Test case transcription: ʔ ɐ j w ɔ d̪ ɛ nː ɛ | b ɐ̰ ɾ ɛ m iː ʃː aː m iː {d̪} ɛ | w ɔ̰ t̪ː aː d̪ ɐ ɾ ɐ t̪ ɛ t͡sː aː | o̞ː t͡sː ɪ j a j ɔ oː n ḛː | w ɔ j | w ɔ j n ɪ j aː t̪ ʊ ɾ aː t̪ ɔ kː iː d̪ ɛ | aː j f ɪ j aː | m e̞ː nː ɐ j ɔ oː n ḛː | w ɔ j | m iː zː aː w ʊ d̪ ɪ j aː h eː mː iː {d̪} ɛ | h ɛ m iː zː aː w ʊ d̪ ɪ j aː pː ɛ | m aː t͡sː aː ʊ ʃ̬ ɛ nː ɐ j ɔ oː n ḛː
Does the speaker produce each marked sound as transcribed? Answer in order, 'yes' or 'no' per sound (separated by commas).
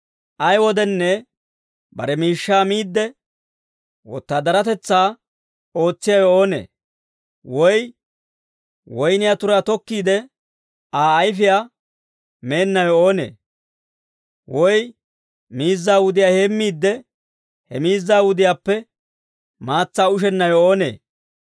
no, no